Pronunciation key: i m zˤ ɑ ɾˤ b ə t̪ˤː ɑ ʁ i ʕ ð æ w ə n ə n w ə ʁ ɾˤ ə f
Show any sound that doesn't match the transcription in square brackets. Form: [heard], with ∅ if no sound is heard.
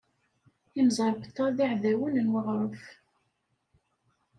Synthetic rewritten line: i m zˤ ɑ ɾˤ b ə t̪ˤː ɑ [ð] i ʕ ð æ w ə n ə n w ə ʁ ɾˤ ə f

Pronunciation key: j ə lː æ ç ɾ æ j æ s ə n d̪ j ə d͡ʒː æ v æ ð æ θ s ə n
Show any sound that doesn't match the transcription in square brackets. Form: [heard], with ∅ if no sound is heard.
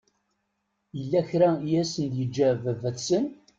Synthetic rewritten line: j ə lː æ ç ɾ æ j æ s ə n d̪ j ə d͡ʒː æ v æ [v] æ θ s ə n

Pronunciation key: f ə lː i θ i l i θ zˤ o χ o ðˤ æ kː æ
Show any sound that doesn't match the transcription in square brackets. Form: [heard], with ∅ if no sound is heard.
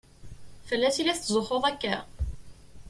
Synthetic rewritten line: f ə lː [æ] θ i l [æ] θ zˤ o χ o ðˤ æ kː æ

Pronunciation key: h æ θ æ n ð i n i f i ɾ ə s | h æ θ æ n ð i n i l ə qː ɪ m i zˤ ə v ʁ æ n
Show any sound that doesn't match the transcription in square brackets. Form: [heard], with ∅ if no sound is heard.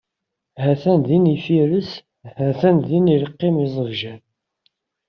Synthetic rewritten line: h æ θ æ n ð i n i f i ɾ ə s | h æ θ æ n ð i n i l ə qː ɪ m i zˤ ə v [ʒ] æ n

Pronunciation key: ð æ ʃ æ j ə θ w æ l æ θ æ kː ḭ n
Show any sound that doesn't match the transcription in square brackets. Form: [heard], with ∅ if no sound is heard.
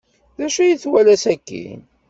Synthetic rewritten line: ð æ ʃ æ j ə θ w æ l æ [s] æ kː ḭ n

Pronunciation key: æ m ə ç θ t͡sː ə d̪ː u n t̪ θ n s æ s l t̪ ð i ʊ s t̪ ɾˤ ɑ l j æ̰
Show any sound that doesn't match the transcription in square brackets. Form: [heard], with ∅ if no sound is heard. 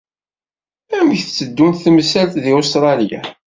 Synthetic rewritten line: æ m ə ç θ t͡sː ə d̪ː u n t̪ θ [m] s æ [∅] l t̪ ð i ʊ s t̪ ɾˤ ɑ l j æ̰

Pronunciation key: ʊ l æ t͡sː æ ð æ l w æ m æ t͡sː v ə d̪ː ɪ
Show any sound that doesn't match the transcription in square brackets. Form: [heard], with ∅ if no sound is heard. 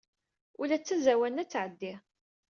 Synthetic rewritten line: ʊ l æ t͡sː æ [z] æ [∅] w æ [n] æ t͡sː [ʕ] ə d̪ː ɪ

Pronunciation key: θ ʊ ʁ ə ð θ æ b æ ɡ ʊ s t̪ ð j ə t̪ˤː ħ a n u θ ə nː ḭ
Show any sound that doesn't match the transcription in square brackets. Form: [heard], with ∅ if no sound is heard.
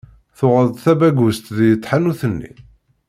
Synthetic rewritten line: θ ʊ ʁ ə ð θ æ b æ ɡ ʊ s t̪ ð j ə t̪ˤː ħ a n u θ ə nː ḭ

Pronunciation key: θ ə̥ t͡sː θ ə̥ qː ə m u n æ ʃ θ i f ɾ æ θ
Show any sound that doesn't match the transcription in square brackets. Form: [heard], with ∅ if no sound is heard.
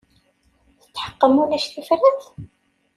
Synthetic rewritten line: θ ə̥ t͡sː [ħ] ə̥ qː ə m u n æ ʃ θ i f ɾ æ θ

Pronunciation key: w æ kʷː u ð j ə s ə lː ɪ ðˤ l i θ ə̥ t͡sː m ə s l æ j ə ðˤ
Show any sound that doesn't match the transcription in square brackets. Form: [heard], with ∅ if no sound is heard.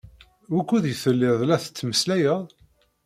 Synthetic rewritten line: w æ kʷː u ð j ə [θ] ə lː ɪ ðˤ l [æ] θ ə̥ t͡sː m ə s l æ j ə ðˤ

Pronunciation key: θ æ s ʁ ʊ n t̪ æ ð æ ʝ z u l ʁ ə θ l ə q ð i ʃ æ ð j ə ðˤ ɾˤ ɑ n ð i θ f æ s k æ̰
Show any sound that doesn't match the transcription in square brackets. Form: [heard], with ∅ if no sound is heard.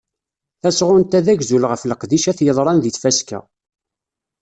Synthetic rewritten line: θ æ s ʁ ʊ n t̪ æ ð æ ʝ z u l ʁ ə [f] l ə q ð i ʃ æ [θ] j ə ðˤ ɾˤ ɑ n ð i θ f æ s k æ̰

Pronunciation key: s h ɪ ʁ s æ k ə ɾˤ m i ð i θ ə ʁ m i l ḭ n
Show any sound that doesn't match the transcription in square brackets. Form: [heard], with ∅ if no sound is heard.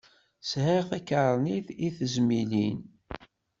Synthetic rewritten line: s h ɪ ʁ [θ] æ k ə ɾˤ [n] i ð i θ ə [z] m i l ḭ n

